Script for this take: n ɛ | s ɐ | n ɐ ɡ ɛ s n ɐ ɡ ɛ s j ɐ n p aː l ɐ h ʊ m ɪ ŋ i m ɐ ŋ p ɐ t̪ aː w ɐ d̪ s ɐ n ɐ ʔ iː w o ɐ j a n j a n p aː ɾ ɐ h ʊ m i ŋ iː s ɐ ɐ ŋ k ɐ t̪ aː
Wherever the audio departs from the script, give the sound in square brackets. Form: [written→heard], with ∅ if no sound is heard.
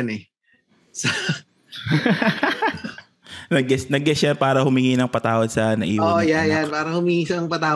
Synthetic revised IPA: n ɛ | s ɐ | n ɐ ɡ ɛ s n ɐ ɡ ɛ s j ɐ n p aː [l→ɾ] ɐ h ʊ m ɪ ŋ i [m→n] ɐ ŋ p ɐ t̪ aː w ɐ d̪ s ɐ n ɐ ʔ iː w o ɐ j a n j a n p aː ɾ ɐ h ʊ m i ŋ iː s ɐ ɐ ŋ [k→p] ɐ t̪ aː